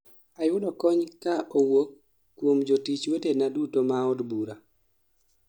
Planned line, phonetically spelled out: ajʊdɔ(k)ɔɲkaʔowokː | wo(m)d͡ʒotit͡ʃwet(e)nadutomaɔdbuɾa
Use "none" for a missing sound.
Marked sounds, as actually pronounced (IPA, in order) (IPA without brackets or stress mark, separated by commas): k, m, e